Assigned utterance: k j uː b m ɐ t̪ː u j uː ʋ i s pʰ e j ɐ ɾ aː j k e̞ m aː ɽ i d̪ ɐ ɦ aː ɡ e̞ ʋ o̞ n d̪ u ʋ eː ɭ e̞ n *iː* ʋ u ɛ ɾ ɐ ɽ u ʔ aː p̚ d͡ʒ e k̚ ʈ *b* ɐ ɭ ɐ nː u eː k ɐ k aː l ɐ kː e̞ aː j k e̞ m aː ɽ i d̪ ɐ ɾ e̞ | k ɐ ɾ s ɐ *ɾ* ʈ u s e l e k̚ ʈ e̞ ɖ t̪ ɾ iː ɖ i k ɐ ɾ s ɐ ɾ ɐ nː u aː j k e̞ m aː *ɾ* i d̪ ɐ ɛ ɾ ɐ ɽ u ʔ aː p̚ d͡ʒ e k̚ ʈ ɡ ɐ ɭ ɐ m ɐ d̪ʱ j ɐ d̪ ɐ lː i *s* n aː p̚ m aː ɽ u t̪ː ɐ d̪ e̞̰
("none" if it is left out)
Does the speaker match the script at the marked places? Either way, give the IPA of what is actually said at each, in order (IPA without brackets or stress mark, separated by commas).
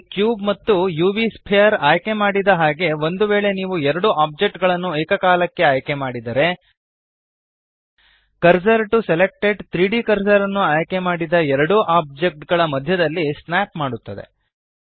iː, ɡ, ɾ, ɽ, s